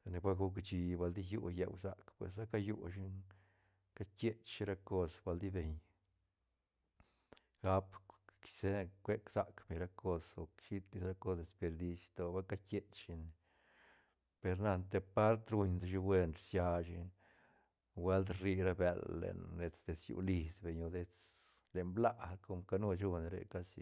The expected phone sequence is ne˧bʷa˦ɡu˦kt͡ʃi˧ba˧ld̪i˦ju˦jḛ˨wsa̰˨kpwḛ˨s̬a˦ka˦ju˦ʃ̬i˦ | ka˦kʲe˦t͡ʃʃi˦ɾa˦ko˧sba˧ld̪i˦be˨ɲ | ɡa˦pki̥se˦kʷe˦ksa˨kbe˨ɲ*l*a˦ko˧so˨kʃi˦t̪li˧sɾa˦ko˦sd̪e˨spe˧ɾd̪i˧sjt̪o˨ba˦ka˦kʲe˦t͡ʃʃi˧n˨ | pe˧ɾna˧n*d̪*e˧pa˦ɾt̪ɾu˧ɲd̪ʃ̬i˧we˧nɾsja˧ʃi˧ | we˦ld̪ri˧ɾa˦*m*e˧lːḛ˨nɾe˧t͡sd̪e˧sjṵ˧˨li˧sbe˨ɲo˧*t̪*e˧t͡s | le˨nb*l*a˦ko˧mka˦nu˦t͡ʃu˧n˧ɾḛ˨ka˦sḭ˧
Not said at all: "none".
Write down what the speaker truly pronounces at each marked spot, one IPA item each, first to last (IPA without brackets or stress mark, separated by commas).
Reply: ɾ, t̪, b, d̪, l